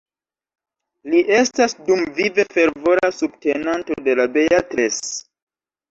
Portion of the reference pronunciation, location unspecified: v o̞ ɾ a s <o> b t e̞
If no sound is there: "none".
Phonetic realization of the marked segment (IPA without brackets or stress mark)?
u